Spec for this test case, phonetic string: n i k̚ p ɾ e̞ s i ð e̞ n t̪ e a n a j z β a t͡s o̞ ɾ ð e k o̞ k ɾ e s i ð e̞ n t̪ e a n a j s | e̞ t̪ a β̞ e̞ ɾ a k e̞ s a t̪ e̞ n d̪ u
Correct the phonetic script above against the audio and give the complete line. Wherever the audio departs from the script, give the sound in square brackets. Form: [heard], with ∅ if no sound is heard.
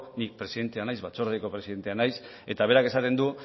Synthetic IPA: n i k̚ p ɾ e̞ s i ð e̞ n t̪ e a n a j z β a t͡s o̞ ɾ ð e k o̞ [p] ɾ e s i ð e̞ n t̪ e a n a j s | e̞ t̪ a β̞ e̞ ɾ a k e̞ s a t̪ e̞ n d̪ u

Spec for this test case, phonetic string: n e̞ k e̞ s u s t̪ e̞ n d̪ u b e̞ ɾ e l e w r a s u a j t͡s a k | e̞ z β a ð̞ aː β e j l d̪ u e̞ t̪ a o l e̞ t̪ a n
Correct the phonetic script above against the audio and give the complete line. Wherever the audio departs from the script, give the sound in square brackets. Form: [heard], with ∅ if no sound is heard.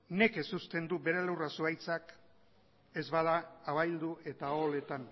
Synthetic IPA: n e̞ k e̞ s u s t̪ e̞ n d̪ u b e̞ ɾ e l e w r a s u a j t͡s a k | e̞ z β a ð̞ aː β [a] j l d̪ u e̞ t̪ a o l e̞ t̪ a n

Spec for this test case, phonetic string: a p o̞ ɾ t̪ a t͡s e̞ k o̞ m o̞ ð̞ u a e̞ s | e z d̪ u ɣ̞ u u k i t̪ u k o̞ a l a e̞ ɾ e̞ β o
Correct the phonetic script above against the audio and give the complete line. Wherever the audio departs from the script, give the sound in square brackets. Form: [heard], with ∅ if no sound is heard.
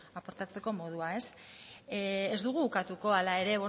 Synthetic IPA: a p o̞ ɾ t̪ a t͡s e̞ k o̞ m o̞ ð̞ u a e̞ s | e z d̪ u ɣ̞ u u k [a] t̪ u k o̞ a l a e̞ ɾ e̞ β o

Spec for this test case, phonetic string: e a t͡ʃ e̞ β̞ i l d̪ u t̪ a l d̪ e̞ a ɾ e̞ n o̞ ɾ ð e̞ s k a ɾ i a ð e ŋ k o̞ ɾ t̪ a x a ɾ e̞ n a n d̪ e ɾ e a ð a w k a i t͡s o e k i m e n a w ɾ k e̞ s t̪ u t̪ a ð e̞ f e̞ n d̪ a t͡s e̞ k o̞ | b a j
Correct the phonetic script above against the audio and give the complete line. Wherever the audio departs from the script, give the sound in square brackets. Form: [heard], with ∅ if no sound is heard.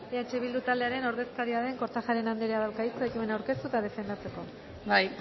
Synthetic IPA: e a t͡ʃ e̞ β̞ i l d̪ u t̪ a l d̪ e̞ a ɾ e̞ n o̞ ɾ ð e̞ s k a ɾ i a ð e ŋ k o̞ ɾ t̪ a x a ɾ e̞ n a n d̪ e ɾ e a ð a w k a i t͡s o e k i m e n a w ɾ k e̞ s t̪ u t̪ a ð e̞ f e̞ n d̪ a t͡s e̞ k o̞ | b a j

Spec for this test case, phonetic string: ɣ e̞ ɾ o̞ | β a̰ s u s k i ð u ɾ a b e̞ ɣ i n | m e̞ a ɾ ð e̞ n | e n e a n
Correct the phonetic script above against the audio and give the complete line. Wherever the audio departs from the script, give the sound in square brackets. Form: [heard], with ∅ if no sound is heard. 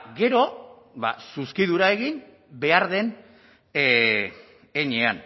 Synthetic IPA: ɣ e̞ ɾ o̞ | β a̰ s u s k i ð u ɾ a [∅] e̞ ɣ i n | [b] e̞ a ɾ ð e̞ n | e [ɲ] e a n

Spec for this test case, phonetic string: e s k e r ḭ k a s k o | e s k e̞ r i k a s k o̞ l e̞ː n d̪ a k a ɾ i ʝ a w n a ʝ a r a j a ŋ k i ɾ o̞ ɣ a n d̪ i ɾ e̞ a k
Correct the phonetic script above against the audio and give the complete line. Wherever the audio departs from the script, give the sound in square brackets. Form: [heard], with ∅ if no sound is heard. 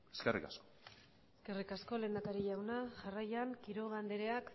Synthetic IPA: e s k e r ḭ k a s k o | e s k e̞ r i k a s k o̞ l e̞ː n d̪ a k a ɾ i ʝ a w n a ʝ a r a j a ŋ k i ɾ o̞ ɣ a n d̪ [e] ɾ e̞ a k

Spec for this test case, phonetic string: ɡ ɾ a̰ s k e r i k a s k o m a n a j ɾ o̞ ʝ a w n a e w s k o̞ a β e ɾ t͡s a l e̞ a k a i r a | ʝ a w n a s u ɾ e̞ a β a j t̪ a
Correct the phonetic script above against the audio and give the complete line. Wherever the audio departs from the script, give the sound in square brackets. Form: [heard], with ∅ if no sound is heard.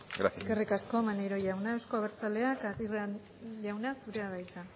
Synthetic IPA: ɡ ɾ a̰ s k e r i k a s k o m a n [e] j ɾ o̞ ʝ a w n a e w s k o̞ a β e ɾ t͡s a l e̞ a k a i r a | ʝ a w n a s u ɾ e̞ a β a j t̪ a

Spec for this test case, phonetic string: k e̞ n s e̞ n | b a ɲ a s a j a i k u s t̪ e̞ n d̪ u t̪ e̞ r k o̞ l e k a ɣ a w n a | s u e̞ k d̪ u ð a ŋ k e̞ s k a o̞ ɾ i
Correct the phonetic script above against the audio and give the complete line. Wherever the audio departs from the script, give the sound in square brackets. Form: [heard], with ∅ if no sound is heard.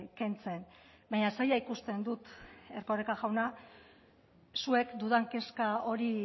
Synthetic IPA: k e̞ n [t͡s] e̞ n | b a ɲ a s a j a i k u s t̪ e̞ n d̪ u t̪ e̞ r k o̞ [r] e k a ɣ a w n a | s u e̞ k d̪ u ð a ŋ k e̞ s k a o̞ ɾ i

